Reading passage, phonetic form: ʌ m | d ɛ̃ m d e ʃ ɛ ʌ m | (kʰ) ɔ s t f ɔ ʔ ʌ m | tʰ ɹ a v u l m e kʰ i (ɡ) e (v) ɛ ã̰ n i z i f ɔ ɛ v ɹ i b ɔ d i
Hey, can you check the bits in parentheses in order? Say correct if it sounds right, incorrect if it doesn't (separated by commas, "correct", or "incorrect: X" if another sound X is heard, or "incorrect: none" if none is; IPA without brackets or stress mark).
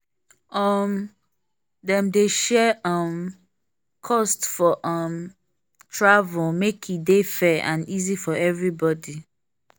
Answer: correct, incorrect: d, incorrect: f